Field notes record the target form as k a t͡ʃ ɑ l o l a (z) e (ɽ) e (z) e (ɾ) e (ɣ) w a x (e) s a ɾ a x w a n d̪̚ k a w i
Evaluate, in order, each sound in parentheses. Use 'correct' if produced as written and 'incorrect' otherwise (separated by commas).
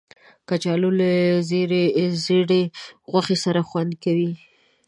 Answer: correct, incorrect, correct, incorrect, correct, correct